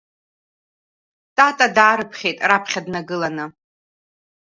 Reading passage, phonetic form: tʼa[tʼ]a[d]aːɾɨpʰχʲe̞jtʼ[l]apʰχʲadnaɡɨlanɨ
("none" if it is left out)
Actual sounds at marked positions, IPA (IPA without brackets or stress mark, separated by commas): tʼ, d, r